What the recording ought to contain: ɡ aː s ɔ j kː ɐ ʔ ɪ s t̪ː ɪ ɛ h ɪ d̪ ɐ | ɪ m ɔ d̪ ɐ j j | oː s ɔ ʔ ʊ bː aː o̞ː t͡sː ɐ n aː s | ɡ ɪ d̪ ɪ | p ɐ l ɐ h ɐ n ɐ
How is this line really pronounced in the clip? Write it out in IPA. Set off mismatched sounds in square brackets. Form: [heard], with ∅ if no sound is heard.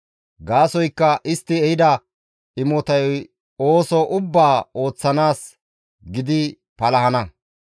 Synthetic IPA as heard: ɡ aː s ɔ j kː ɐ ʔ ɪ s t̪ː ɪ ɛ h ɪ d̪ ɐ | ɪ m ɔ [t̪] ɐ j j | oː s ɔ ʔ ʊ bː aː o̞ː t͡sː ɐ n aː s | ɡ ɪ d̪ ɪ | p ɐ l ɐ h ɐ n ɐ